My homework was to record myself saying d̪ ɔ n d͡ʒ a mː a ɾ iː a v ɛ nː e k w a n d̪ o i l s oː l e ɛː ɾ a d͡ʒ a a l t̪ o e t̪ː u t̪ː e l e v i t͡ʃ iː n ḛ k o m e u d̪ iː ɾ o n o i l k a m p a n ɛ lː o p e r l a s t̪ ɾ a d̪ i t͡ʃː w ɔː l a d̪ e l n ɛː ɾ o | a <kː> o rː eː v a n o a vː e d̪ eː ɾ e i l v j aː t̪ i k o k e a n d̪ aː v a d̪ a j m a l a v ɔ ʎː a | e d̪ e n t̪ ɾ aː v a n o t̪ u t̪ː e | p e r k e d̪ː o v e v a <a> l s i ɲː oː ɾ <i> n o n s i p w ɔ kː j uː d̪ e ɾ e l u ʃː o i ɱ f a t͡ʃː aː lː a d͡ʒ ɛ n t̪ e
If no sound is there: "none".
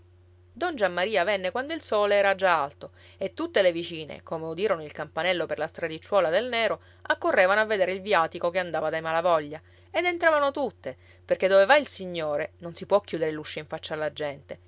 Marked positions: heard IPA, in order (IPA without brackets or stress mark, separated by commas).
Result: kː, i, e